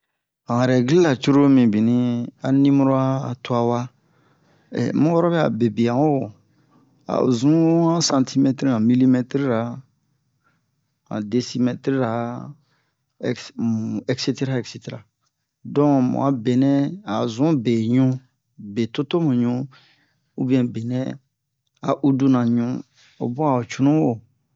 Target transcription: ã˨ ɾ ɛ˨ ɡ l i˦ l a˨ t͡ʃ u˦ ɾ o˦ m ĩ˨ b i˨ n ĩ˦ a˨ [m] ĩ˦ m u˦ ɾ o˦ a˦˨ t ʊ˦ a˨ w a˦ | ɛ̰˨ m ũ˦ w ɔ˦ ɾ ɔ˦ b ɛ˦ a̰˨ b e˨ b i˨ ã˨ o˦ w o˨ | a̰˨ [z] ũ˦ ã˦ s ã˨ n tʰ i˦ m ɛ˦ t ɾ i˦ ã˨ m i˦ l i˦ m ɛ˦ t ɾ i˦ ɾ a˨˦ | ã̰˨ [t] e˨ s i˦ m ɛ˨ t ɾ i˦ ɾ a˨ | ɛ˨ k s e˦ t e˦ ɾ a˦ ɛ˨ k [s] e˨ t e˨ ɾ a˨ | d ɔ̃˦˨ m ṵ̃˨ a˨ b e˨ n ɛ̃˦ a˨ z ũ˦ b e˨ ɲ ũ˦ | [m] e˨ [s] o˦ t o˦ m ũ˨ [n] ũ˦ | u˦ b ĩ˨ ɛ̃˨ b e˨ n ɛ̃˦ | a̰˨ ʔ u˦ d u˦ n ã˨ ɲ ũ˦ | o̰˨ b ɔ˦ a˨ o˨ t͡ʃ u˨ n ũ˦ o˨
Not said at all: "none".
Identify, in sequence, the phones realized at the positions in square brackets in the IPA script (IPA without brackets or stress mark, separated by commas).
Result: n, z, d, s, b, t, ɲ